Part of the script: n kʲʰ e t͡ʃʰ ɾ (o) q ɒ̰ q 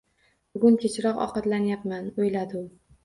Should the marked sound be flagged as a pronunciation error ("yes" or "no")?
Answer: yes